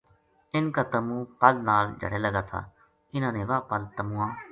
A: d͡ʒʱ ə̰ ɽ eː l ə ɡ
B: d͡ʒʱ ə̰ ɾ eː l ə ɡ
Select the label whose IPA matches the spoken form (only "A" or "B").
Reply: A